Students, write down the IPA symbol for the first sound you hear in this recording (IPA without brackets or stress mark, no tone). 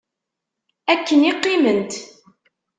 æ